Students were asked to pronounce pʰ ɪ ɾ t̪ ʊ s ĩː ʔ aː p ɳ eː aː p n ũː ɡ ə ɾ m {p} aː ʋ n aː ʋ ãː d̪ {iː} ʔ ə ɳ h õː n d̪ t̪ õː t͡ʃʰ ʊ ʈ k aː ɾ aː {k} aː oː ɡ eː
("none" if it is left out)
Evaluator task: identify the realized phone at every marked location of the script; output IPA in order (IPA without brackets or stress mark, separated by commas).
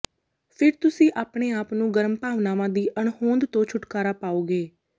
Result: p, iː, p